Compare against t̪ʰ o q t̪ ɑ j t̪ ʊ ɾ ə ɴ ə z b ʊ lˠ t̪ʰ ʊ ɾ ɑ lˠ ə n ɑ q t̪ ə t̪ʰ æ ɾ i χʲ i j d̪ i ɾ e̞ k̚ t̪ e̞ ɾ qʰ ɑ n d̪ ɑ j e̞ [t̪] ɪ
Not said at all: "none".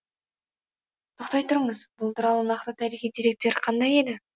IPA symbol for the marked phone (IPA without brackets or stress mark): d̪